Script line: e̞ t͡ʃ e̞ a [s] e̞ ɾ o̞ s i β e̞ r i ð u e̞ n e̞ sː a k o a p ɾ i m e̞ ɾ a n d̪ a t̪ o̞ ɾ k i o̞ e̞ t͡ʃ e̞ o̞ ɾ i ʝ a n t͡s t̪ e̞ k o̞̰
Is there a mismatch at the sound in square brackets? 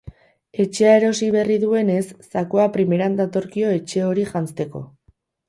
yes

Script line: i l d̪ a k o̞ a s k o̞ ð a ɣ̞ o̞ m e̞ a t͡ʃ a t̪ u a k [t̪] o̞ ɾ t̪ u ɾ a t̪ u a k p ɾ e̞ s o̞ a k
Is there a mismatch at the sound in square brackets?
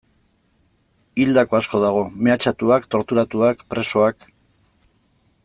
no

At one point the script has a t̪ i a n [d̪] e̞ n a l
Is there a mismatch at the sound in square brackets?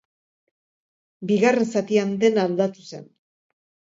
no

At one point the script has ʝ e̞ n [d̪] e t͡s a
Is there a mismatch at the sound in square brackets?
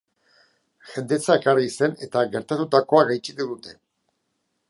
no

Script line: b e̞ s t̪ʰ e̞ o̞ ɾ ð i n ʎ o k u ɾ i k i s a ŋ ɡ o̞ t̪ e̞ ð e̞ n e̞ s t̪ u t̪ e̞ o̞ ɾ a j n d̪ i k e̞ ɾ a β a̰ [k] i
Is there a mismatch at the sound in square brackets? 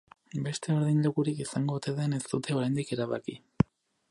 no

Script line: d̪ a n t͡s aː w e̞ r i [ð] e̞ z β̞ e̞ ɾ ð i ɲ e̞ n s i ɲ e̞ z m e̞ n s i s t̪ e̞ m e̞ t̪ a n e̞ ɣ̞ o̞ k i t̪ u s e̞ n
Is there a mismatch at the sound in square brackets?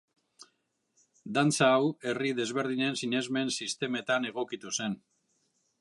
no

